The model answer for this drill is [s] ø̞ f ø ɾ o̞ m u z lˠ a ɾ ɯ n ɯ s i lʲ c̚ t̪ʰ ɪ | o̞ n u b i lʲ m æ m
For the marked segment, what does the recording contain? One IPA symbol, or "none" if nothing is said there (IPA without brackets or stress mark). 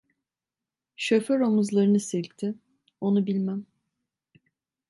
ʃ